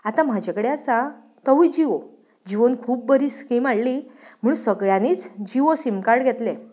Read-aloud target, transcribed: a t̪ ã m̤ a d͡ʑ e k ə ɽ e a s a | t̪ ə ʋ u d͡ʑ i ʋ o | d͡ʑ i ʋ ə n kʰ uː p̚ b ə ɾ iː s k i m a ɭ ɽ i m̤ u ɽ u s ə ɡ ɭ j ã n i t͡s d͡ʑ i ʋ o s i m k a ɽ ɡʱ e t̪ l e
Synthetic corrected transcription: a t̪ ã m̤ a d͡ʑ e k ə ɽ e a s a | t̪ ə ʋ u d͡ʑ i ʋ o | d͡ʑ i ʋ ə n kʰ uː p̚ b ə ɾ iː s k i m a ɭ l i m̤ u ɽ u s ə ɡ ɭ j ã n i t͡s d͡ʑ i ʋ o s i m k a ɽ ɡʱ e t̪ l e